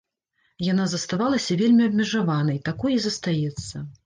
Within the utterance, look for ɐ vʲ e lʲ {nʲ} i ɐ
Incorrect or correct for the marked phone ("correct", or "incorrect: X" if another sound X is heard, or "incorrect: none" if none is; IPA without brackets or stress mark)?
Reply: incorrect: mʲ